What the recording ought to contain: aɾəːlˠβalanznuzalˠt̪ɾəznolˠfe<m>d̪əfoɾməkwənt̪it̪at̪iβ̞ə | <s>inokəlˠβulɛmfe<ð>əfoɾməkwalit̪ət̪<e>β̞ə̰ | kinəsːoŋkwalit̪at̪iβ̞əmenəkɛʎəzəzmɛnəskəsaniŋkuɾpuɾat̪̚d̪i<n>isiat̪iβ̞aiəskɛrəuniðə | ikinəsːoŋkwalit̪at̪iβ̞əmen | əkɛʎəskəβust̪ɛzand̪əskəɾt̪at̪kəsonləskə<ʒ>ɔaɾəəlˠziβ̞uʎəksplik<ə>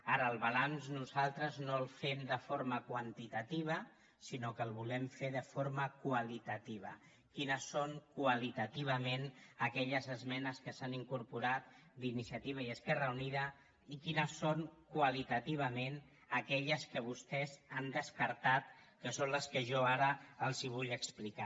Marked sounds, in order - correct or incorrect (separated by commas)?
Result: correct, correct, correct, incorrect, correct, correct, incorrect